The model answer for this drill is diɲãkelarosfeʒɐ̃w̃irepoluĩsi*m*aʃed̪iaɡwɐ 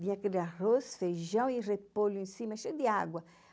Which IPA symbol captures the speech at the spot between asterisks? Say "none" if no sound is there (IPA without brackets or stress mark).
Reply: m